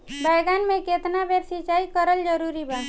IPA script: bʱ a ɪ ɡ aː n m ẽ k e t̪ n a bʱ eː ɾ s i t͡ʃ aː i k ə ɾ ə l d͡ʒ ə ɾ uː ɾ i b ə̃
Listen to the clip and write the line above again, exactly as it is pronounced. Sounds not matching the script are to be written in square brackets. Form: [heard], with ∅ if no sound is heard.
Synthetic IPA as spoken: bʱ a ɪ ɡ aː n m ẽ k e t̪ n a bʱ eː ɾ s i t͡ʃ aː i k ə ɾ ə l d͡ʒ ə ɾ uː ɾ i b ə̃

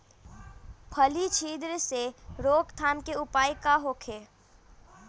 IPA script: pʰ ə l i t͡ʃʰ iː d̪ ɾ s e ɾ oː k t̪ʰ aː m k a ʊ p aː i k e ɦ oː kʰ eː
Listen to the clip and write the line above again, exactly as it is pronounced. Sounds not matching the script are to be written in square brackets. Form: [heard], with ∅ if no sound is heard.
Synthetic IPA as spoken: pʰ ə l i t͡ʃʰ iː d̪ ɾ s e ɾ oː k t̪ʰ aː m k [e] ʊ p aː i k [a] ɦ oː kʰ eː

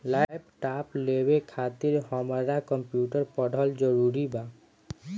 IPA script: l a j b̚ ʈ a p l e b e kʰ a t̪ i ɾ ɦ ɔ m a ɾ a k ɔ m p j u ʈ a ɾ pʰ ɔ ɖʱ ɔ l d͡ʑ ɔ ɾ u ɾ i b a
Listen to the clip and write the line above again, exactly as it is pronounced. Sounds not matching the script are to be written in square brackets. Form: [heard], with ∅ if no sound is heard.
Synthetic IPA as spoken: l a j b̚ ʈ a p l e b e kʰ a t̪ i ɾ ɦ ɔ m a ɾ a k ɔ m p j u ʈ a ɾ [p] ɔ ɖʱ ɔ l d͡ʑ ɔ ɾ u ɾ i b a

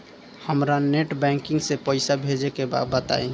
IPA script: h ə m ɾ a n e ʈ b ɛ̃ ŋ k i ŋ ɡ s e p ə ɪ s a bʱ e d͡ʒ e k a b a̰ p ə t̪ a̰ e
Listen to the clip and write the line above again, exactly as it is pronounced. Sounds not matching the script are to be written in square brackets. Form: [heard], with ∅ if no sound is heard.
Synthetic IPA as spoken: h ə m ɾ a n e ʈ b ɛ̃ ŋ k i ŋ ɡ s e p ə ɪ s a bʱ e d͡ʒ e k [e] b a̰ [b] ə t̪ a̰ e

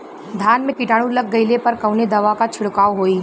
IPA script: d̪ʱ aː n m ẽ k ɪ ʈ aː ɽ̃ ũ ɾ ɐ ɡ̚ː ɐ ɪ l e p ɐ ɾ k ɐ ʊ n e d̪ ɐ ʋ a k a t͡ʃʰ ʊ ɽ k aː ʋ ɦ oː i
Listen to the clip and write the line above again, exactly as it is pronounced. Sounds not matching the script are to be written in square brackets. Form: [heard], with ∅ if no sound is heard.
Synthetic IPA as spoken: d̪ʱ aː n m ẽ k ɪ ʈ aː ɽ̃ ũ [l] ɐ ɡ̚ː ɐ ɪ l e p ɐ ɾ k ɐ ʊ n e d̪ ɐ ʋ a k a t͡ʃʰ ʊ ɽ k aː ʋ ɦ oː i

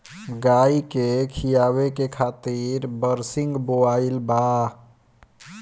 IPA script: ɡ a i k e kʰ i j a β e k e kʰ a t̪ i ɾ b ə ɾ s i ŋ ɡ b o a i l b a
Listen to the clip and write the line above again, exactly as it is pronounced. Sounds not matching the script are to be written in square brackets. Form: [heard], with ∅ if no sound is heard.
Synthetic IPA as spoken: ɡ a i k e kʰ i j a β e k e kʰ a t̪ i ɾ b ə ɾ s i ŋ ɡ b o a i l b a

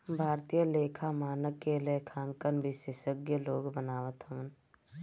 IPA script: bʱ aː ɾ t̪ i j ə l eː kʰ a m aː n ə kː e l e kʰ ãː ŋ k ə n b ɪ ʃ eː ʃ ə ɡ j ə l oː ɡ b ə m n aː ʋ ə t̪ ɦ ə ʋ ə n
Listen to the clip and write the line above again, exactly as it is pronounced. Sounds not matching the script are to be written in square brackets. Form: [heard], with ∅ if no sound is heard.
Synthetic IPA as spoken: bʱ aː ɾ t̪ i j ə l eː kʰ a m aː n ə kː e l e kʰ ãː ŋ k ə n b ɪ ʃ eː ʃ ə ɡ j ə l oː ɡ b ə [∅] n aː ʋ ə t̪ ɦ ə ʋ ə n

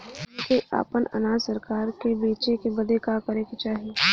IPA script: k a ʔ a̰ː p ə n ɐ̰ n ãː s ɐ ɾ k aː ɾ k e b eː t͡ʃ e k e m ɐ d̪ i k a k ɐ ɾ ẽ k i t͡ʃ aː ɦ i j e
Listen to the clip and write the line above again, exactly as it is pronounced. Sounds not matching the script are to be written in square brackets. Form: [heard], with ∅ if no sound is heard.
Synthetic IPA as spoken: k [e] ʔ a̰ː p ə n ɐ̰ n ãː s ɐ ɾ k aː ɾ k e b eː t͡ʃ e k e [b] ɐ d̪ [e] k a k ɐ ɾ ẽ k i t͡ʃ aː ɦ i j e

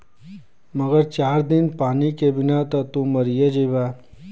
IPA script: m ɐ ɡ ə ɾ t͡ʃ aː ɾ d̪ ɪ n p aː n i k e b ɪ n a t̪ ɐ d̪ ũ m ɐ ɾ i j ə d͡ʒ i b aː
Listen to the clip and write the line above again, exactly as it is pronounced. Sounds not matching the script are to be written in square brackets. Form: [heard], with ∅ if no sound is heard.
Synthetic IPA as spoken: m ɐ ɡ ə ɾ t͡ʃ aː ɾ d̪ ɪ n p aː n i k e b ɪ n a t̪ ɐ [t̪] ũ m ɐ ɾ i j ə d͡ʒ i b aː

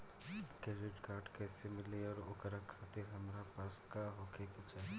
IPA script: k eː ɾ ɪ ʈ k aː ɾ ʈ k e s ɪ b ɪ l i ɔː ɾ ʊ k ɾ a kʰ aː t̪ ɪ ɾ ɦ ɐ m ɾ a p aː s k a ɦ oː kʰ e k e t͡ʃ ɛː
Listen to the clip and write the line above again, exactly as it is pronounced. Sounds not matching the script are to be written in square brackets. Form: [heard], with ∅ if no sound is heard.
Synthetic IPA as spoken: k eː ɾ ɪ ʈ k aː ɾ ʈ k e s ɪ [m] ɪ l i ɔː ɾ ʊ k ɾ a kʰ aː t̪ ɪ ɾ ɦ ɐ m ɾ a p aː s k a ɦ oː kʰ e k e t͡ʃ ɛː

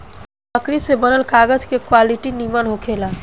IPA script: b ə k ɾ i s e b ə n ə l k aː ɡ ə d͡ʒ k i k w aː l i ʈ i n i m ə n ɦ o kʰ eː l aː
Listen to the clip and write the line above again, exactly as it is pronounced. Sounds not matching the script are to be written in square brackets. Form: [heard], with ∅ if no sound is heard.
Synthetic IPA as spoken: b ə k ɾ i s e b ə n ə l k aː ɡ ə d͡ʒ k [e] k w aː l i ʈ i n i m ə n ɦ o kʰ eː l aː

